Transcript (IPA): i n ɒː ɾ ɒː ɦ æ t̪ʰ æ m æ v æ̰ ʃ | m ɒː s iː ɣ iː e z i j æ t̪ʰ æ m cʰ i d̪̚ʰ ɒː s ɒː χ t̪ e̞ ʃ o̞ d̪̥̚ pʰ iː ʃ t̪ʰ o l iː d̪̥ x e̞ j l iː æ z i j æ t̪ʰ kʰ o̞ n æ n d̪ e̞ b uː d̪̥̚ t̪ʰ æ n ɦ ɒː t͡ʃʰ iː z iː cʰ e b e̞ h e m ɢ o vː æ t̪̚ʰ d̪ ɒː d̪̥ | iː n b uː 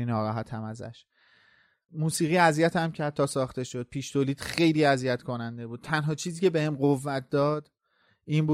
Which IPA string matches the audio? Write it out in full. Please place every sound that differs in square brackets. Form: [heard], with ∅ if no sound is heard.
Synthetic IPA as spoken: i n ɒː ɾ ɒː ɦ æ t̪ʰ æ m æ [z] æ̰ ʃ | m [uː] s iː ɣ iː [æ] z i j æ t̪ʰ æ m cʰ [æ] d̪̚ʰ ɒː s ɒː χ t̪ e̞ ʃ o̞ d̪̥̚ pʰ iː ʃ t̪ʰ o l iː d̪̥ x e̞ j l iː æ z i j æ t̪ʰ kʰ o̞ n æ n d̪ e̞ b uː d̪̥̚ t̪ʰ æ n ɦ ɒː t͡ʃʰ iː z iː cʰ e b e̞ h e m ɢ o vː æ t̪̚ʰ d̪ ɒː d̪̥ | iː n b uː